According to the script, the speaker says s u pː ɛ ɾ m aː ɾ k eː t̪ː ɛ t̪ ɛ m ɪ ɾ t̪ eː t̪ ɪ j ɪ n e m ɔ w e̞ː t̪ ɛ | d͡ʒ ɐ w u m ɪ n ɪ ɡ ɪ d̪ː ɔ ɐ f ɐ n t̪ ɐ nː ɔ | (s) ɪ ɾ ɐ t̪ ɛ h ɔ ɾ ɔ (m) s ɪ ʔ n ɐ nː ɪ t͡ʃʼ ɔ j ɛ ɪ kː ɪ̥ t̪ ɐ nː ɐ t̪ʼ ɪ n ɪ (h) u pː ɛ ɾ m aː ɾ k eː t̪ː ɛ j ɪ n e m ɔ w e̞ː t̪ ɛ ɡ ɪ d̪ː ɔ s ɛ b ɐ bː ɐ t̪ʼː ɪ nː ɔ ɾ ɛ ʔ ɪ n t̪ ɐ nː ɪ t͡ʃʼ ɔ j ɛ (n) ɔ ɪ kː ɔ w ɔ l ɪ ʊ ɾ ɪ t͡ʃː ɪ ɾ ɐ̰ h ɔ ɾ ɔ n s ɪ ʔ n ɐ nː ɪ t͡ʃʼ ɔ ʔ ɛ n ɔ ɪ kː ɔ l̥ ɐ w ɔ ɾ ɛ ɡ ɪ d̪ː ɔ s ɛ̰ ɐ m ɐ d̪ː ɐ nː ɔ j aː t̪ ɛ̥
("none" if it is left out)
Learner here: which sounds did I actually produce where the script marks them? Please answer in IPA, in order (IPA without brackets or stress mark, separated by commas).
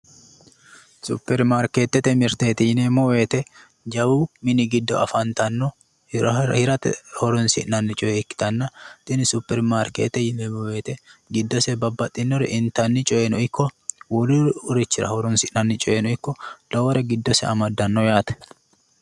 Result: h, n, s, n